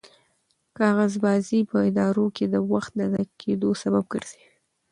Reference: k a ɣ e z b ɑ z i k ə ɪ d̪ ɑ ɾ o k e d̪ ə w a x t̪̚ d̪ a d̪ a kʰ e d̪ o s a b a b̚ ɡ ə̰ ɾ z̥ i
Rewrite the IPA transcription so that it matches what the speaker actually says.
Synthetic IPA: k ɑ ɣ a z b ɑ z i p ə ɪ d̪ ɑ ɾ o k e d̪ ə w a x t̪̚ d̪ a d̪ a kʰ e d̪ o s a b a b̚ ɡ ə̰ ɾ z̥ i